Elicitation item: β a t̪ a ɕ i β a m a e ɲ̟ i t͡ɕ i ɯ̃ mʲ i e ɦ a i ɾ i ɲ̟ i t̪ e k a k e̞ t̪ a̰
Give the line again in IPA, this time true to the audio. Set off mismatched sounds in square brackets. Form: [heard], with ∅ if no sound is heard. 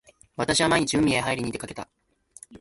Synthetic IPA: β a t̪ a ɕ i β a m a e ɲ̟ i t͡ɕ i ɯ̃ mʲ i e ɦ a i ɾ i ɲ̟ i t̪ e k a k e̞ t̪ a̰

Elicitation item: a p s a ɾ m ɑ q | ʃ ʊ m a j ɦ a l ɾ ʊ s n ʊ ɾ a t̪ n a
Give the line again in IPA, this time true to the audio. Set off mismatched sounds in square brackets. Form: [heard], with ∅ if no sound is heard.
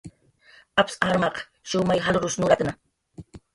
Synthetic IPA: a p s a ɾ m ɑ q | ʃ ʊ m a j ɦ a l ɾ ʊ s n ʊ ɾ a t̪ n a

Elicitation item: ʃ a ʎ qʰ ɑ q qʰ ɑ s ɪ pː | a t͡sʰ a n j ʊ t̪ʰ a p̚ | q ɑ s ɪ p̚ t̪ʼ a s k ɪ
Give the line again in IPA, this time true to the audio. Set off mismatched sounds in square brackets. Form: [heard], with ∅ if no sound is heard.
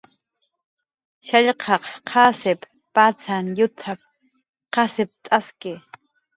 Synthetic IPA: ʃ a ʎ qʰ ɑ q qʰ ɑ s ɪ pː | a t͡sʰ a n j ʊ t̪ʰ a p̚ | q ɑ s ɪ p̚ t̪ʼ a s k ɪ

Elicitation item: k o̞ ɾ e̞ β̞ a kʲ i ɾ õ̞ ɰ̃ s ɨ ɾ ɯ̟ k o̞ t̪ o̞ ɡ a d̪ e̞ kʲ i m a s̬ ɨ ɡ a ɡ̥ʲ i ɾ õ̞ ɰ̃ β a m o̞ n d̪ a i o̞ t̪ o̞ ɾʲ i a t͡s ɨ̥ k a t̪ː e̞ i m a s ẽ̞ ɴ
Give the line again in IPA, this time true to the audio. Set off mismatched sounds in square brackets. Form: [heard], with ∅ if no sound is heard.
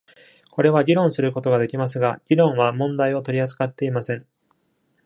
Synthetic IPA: k o̞ ɾ e̞ β̞ a [ɡʲ] i ɾ õ̞ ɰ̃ s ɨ ɾ ɯ̟ k o̞ t̪ o̞ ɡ a d̪ e̞ kʲ i m a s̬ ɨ ɡ a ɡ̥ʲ i ɾ õ̞ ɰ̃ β a m [õ̞] n d̪ a i o̞ t̪ o̞ ɾʲ i a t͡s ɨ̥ k a t̪ː e̞ i m a s ẽ̞ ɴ

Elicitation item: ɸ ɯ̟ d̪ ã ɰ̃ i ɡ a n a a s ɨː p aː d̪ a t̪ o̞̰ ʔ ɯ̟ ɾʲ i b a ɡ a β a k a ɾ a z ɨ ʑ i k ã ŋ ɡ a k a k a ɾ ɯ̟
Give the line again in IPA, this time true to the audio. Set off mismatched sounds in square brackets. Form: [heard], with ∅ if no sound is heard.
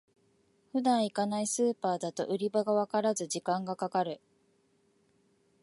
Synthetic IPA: ɸ ɯ̟ d̪ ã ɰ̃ i [k] a n a [i] s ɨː p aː d̪ a t̪ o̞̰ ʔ ɯ̟ ɾʲ i b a ɡ a β a k a ɾ a z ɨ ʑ i k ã ŋ ɡ a k a k a ɾ ɯ̟

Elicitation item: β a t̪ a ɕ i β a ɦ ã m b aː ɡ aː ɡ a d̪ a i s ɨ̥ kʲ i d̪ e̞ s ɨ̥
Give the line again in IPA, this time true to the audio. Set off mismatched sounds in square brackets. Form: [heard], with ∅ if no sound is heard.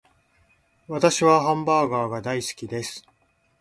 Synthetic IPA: β a t̪ a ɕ i β a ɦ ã m b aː ɡ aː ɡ a d̪ a i s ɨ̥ kʲ i d̪ e̞ s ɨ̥

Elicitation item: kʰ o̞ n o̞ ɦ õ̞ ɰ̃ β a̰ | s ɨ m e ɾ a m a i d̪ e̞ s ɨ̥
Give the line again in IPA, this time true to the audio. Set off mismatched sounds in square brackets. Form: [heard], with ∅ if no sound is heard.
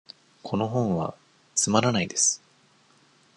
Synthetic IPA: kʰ o̞ n o̞ ɦ õ̞ ɰ̃ β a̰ | [t͡s] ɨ m [a] ɾ a [n] a i d̪ e̞ s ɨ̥

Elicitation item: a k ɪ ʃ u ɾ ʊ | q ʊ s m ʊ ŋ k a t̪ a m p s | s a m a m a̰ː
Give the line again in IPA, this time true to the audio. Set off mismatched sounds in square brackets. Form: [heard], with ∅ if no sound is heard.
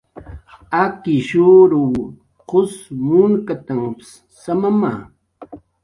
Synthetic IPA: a k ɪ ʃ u ɾ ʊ | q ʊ s m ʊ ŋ k a t̪ a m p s | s a m a m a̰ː

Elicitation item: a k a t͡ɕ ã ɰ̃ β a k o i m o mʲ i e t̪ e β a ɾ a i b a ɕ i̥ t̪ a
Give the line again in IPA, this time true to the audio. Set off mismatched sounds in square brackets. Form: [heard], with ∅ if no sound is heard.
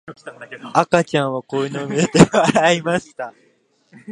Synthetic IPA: a k a t͡ɕ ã ɰ̃ β a k o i [n] o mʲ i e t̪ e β a ɾ a i [m] a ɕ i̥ t̪ a

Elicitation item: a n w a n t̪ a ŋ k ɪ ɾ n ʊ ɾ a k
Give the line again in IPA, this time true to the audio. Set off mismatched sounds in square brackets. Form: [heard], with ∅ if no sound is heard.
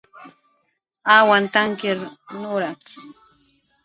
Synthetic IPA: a [∅] w a n t̪ a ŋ k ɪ ɾ n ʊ ɾ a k

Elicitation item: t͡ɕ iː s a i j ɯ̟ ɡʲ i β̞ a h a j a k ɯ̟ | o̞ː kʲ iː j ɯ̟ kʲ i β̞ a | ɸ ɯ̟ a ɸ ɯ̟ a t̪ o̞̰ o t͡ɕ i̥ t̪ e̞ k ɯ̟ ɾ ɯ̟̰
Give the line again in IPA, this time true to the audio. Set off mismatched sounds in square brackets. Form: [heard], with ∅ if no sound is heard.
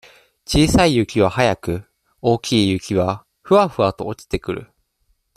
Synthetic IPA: t͡ɕ iː s a i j ɯ̟ [kʲ] i β̞ a h a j a k ɯ̟ | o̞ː kʲ iː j ɯ̟ kʲ i β̞ a | ɸ ɯ̟ a ɸ ɯ̟ a t̪ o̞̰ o t͡ɕ i̥ t̪ e̞ k ɯ̟ ɾ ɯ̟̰

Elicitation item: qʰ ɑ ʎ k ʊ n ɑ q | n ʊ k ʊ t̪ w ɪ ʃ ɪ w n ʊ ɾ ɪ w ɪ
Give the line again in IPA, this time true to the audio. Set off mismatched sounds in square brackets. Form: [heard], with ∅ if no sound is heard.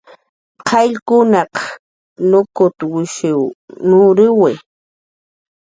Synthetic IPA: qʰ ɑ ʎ k ʊ n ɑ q | n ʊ k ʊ t̪ w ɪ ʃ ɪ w n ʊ ɾ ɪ w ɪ

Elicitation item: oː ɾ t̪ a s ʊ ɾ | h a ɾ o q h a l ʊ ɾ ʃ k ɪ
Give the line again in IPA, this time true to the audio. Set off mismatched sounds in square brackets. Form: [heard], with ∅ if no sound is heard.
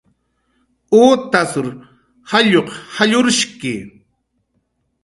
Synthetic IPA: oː [∅] t̪ a s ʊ ɾ | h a [ʎ] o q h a [ʎ] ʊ ɾ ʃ k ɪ

